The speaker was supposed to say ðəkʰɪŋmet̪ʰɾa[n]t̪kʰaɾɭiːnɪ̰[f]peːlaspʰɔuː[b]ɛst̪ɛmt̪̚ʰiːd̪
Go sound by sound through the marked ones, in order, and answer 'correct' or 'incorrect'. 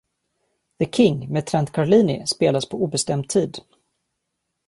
correct, incorrect, correct

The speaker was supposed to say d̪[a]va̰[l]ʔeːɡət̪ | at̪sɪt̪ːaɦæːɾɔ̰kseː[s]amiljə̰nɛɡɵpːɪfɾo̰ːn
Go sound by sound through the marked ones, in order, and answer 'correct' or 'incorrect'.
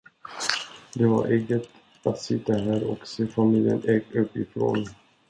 incorrect, incorrect, incorrect

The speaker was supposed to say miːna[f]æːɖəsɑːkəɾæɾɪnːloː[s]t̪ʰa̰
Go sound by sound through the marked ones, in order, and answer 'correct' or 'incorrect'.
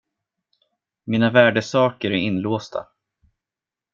incorrect, correct

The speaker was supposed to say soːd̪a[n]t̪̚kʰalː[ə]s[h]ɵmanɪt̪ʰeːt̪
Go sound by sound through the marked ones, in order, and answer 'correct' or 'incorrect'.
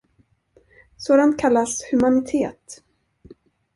correct, incorrect, correct

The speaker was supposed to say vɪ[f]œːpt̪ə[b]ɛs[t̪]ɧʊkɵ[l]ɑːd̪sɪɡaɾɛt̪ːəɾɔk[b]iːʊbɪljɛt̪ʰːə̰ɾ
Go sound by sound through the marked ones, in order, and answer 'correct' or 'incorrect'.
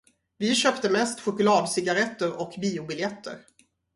incorrect, incorrect, correct, correct, correct

